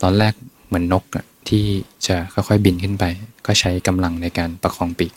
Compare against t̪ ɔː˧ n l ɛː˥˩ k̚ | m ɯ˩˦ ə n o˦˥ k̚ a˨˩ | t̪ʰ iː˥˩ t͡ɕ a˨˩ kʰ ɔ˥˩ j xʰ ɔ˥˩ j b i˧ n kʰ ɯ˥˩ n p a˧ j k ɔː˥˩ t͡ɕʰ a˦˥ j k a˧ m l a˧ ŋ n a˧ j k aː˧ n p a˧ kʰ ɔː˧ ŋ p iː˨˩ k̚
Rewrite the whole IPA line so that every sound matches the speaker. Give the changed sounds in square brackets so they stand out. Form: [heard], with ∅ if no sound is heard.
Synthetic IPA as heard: t̪ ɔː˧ n l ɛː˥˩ k̚ | m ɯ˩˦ ə [nː] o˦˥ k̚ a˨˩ | t̪ʰ iː˥˩ t͡ɕ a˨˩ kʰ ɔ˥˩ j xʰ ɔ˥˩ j b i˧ n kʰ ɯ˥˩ n p a˧ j k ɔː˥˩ t͡ɕʰ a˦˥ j k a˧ m l a˧ ŋ n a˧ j k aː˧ n p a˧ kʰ ɔː˧ ŋ p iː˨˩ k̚